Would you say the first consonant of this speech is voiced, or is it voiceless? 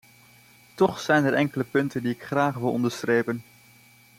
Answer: voiceless